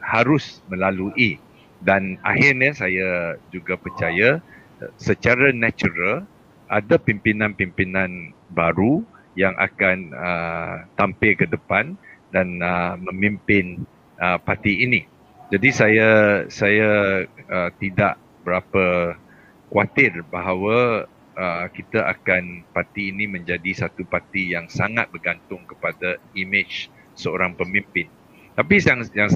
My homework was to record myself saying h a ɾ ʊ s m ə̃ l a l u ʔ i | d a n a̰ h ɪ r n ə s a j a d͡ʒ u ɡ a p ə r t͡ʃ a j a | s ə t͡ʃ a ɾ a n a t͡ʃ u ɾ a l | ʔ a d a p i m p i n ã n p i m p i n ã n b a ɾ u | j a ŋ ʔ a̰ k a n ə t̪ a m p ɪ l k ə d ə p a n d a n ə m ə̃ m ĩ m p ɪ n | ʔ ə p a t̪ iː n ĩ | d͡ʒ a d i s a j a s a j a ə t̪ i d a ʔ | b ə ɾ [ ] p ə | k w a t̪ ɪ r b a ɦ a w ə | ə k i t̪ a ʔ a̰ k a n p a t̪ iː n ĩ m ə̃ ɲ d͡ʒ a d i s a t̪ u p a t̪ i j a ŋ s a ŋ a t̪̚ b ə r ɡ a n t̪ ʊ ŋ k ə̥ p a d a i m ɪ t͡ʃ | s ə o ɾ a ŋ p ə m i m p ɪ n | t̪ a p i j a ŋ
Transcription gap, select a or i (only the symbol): a